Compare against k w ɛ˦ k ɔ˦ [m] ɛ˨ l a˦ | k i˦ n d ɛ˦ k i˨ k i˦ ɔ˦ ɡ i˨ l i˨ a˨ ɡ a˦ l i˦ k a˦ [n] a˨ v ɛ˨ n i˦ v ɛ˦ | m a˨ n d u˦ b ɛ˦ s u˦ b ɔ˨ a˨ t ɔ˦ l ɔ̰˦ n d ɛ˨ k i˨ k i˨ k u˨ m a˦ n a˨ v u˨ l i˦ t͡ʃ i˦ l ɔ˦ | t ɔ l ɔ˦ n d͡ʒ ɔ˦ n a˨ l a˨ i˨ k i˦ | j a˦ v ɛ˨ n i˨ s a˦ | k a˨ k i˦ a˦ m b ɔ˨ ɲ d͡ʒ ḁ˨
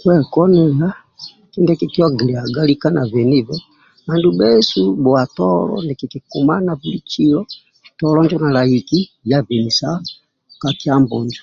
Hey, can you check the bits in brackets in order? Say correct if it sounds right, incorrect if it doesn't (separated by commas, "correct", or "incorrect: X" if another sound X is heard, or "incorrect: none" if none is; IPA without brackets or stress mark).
incorrect: n, correct